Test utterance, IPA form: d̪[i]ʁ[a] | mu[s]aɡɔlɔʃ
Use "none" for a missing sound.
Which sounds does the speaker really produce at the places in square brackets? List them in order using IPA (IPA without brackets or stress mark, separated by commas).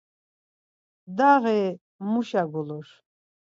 a, ɛ, ʃ